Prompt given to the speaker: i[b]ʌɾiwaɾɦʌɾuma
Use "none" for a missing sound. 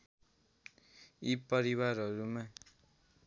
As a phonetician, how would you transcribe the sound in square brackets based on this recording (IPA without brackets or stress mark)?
p